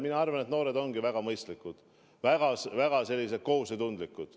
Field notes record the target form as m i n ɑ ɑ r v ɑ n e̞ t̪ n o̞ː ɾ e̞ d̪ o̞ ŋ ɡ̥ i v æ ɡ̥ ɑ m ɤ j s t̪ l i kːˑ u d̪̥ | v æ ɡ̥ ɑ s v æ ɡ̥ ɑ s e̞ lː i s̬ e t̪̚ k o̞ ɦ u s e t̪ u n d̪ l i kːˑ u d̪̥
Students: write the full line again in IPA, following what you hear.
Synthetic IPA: m i n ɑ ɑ r v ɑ n e̞ t̪ n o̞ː ɾ e̞ d̪ o̞ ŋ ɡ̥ i v æ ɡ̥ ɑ m ɤ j s t̪ l i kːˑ u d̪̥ | v æ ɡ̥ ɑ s v æ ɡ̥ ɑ s e̞ lː i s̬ e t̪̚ k o̞ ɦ u s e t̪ u n d̪ l i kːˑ u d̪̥